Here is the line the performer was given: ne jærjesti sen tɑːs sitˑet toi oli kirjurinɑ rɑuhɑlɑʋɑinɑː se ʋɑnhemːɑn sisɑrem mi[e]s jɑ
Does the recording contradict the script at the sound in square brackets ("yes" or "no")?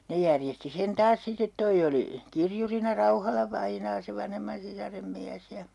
yes